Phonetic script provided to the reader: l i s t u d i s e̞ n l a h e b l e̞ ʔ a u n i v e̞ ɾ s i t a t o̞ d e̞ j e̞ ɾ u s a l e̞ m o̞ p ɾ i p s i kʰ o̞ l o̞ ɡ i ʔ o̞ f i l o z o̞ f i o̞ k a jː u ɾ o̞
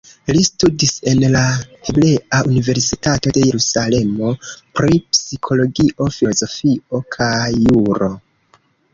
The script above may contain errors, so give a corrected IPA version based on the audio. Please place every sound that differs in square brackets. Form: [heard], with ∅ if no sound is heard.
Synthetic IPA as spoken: l i s t u d i s e̞ n l a h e b l e̞ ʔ a u n i v e̞ ɾ s i t a t o̞ d e̞ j e̞ ɾ u s a l e̞ m o̞ p ɾ i p s i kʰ o̞ l o̞ ɡ i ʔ o̞ f i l o z o̞ f i o̞ [kʰ] a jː u ɾ o̞